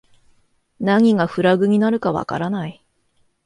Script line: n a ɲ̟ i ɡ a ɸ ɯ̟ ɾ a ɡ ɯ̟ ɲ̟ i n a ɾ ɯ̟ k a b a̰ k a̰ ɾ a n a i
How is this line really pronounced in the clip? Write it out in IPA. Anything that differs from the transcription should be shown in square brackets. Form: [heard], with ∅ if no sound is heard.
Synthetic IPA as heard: n a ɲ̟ i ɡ a ɸ ɯ̟ ɾ a ɡ ɯ̟ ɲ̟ i n a ɾ ɯ̟ k a [β] a̰ k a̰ ɾ a n a i